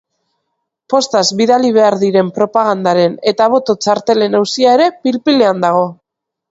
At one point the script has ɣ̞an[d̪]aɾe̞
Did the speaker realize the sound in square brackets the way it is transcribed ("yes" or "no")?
yes